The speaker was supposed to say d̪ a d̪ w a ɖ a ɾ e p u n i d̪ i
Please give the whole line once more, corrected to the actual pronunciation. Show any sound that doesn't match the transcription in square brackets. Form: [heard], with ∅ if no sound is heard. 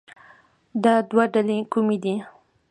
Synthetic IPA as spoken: d̪ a d̪ w a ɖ a [l] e [k] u [m] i d̪ i